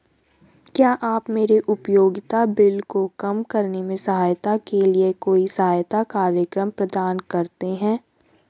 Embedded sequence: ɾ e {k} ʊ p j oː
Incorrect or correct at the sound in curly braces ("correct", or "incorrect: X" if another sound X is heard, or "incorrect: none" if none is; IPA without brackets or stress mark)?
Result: incorrect: ʔ